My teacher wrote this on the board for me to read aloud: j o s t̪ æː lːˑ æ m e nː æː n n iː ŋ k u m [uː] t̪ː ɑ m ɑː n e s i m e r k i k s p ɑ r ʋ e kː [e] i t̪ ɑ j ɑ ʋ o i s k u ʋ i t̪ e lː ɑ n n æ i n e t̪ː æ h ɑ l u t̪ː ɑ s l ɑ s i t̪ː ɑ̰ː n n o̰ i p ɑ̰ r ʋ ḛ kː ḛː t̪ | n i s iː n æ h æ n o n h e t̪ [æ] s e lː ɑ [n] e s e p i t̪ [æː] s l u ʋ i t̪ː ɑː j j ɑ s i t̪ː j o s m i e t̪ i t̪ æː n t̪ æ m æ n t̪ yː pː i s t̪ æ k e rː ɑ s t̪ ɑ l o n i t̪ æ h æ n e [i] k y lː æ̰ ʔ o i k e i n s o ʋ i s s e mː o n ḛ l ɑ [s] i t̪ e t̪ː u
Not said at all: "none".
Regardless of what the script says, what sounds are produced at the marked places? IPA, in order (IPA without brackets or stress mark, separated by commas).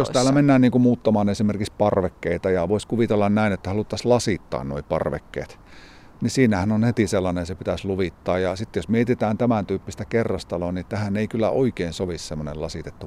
uː, e, i, n, æ, i, s